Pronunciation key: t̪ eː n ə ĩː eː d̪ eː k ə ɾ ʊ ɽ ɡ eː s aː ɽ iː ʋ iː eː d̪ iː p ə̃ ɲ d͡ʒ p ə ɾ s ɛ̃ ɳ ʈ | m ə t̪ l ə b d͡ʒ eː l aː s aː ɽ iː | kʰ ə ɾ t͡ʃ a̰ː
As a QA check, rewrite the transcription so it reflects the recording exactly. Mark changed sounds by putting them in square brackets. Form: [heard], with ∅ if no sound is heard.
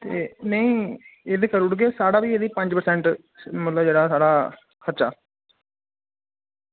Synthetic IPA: t̪ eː n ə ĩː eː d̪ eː k ə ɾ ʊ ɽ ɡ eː s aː ɽ [aː] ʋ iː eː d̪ iː p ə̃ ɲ d͡ʒ p ə ɾ s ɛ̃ ɳ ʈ | m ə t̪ l ə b d͡ʒ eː [ɽ] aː s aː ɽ [aː] | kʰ ə ɾ t͡ʃ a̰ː